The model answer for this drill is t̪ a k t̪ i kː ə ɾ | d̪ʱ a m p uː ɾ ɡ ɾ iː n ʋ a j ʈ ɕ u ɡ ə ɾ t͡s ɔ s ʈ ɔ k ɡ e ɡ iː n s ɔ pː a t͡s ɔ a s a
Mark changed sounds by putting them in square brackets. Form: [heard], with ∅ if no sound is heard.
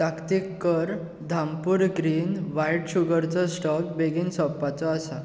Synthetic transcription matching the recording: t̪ a k t̪ i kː ə ɾ | d̪ʱ a m p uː ɾ ɡ ɾ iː n ʋ a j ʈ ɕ u ɡ ə ɾ t͡s ɔ s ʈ ɔ k [b] e ɡ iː n s ɔ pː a t͡s ɔ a s a